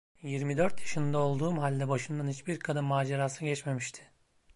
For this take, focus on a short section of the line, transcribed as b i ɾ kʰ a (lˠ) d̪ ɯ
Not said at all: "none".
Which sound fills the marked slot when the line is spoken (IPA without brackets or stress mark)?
none